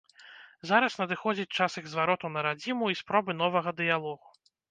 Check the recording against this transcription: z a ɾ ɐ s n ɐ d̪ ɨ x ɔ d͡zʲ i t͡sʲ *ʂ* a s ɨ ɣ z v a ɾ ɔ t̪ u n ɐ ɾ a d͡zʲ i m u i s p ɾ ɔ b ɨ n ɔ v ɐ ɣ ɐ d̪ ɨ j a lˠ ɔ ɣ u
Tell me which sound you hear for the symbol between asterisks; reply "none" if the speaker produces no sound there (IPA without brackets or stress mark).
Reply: t͡ʂ